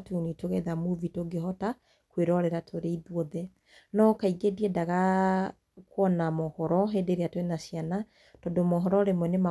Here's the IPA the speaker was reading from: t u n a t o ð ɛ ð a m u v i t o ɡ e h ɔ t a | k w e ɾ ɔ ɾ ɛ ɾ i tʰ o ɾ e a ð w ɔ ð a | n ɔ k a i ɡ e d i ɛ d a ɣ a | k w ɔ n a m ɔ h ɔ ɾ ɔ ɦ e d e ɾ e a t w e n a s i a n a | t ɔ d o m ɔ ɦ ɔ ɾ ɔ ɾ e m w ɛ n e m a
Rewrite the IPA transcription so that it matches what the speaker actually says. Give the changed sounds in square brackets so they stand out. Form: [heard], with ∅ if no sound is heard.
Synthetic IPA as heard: t u n [i] t o [ɣ] ɛ ð a m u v i t o ɡ e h ɔ t a | k w e ɾ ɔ ɾ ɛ ɾ [a] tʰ o ɾ e [i] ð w ɔ ð [ɛ] | n ɔ k a i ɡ e d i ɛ d a ɣ a | k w ɔ n a m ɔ h ɔ ɾ ɔ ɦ e d e ɾ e a t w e n a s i a n a | t ɔ d o m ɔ ɦ ɔ ɾ ɔ ɾ e m w ɛ n e m a

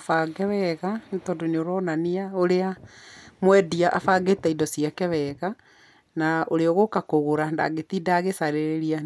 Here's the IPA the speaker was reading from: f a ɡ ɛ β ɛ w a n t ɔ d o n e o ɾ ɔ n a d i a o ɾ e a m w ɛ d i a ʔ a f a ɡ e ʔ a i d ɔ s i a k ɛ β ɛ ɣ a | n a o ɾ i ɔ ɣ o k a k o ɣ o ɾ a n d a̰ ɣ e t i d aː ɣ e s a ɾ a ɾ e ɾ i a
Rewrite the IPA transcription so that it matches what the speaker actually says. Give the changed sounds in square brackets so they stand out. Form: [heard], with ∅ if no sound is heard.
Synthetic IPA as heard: f a ɡ ɛ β ɛ [ɣ] a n t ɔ d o n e o ɾ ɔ n a [n] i a o ɾ e a m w ɛ d i a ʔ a f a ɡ e [t] a i d ɔ s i a k ɛ β ɛ ɣ a | n a o ɾ [e] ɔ ɣ o k a k o ɣ o ɾ a n d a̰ ɣ e t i d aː ɣ e s a ɾ [e] ɾ e ɾ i a

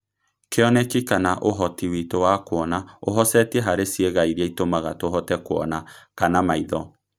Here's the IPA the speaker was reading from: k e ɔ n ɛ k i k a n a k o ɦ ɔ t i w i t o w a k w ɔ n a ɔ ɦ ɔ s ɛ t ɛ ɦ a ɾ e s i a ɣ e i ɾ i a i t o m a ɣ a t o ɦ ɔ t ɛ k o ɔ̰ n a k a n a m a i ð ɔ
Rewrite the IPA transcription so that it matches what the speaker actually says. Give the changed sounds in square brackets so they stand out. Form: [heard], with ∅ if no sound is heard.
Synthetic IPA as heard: k e ɔ n ɛ k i k a n a [ʔ] o ɦ ɔ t i w i t o w a k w ɔ n a [o] ɦ ɔ s ɛ t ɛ ɦ a ɾ e s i [e] ɣ [a] i ɾ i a i t o m a ɣ a t o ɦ ɔ t ɛ k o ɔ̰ n a k a n a m a i ð ɔ

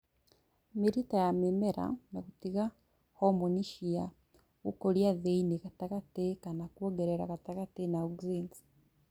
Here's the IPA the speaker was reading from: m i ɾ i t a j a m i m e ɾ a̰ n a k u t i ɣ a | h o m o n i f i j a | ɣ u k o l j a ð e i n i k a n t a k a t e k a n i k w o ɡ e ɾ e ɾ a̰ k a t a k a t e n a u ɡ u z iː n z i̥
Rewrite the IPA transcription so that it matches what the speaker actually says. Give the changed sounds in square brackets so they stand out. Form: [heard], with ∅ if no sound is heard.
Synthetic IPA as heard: m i ɾ i t a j a m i m e ɾ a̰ n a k u t i ɣ a | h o m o n i [ʃ] i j a | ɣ u k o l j a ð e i n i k a [∅] t a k a t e k a n [a] k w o ɡ e ɾ e ɾ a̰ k a t a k a t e n a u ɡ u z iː n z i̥

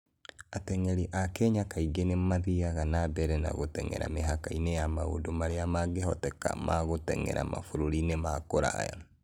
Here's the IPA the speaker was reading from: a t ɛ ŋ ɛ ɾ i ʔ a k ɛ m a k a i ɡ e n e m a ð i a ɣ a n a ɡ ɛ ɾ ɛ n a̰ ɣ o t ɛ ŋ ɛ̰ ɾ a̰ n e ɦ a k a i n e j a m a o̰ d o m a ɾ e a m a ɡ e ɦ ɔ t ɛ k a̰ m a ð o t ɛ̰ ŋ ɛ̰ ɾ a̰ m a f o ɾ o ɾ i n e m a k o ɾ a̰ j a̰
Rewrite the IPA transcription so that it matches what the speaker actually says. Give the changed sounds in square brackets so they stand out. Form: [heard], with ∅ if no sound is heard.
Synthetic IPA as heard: a t ɛ ŋ ɛ ɾ i ʔ a k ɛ [ɲ] a k a i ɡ e n e m a ð i a ɣ a n a [b] ɛ ɾ ɛ n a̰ ɣ o t ɛ ŋ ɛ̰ ɾ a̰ [m] e ɦ a k a i n e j a m a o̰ d o m a ɾ e a m a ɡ e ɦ ɔ t ɛ k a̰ m a [ɣ] o t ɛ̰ ŋ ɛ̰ ɾ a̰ m a f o ɾ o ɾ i n e m a k o ɾ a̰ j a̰

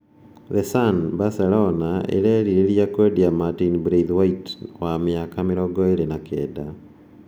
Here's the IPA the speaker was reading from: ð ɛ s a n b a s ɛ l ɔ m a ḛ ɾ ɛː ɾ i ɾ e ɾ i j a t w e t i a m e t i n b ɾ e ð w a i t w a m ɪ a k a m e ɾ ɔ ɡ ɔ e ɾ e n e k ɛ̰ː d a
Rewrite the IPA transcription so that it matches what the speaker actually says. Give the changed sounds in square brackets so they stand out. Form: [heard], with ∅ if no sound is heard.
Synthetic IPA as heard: ð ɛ s a n b a s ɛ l ɔ [n] a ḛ ɾ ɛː ɾ i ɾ e ɾ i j a [k] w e [d] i a m [a] t i n b ɾ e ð w a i t w a m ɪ a k a m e ɾ ɔ ɡ ɔ e ɾ e n [a] k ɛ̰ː d a

